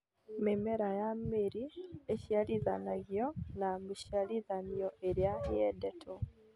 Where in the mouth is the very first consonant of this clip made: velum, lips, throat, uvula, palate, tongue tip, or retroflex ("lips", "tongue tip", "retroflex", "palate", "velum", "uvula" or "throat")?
lips